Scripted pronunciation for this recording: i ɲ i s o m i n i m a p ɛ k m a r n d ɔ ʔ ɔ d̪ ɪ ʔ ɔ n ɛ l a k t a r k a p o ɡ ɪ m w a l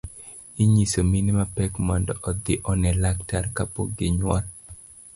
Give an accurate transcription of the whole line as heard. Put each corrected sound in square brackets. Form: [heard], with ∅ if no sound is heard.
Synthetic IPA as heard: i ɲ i s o m i n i m a p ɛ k m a [∅] n d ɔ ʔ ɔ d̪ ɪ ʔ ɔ n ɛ l a k t a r k a p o ɡ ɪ [ɲ] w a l